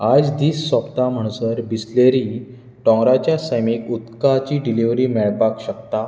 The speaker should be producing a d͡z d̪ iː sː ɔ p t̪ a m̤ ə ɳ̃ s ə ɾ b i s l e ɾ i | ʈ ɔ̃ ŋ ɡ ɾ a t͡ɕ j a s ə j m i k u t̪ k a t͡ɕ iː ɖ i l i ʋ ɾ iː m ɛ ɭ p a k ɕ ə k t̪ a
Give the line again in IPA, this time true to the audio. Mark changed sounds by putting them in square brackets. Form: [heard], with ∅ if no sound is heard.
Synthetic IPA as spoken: a d͡z d̪ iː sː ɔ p t̪ a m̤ ə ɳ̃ s ə ɾ b i s l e ɾ i | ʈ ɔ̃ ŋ ɡ ɾ a t͡ɕ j a s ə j m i k u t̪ k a t͡ɕ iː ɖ i l i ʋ ɾ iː m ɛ ɭ p a k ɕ ə k t̪ a